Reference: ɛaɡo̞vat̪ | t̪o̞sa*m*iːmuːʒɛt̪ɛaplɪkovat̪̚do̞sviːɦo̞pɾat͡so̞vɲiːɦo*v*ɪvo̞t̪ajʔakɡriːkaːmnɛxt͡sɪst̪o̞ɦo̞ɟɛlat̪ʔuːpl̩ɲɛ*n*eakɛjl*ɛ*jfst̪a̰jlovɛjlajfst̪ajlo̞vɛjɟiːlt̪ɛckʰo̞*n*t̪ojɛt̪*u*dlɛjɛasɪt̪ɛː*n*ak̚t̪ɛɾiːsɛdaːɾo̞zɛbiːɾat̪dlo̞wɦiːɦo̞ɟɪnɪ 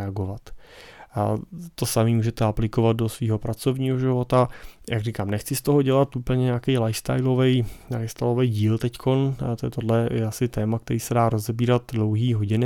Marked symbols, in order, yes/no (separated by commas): yes, no, no, no, yes, no, no